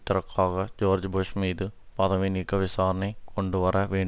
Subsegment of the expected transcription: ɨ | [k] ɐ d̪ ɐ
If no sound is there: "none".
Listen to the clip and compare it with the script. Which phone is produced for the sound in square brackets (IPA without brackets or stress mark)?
p